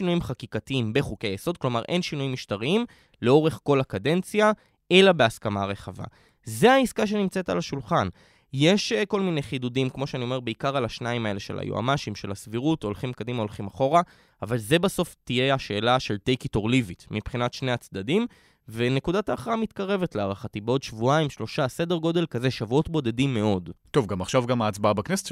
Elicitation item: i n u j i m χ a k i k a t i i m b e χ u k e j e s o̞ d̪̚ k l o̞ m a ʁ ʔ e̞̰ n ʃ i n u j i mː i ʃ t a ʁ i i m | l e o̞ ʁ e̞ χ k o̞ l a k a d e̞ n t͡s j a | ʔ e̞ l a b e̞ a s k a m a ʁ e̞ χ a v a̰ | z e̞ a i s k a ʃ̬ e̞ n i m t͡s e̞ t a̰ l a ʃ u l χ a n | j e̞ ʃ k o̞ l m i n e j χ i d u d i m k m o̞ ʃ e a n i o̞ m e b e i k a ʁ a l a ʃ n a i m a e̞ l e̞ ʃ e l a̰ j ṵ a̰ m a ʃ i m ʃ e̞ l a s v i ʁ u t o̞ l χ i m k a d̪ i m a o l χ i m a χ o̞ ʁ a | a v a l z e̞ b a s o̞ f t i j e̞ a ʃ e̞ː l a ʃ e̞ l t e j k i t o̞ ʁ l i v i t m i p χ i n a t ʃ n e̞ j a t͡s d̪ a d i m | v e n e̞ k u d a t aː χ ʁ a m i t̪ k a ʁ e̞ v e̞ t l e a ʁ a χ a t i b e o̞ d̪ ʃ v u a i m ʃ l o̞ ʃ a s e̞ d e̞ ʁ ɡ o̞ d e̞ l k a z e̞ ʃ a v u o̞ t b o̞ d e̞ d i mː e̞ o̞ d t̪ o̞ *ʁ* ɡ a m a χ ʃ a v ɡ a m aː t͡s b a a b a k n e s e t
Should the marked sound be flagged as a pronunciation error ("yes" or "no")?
yes